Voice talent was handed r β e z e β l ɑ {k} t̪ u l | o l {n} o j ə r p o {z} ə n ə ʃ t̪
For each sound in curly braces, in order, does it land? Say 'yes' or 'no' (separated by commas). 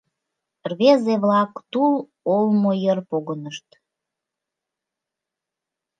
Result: yes, no, no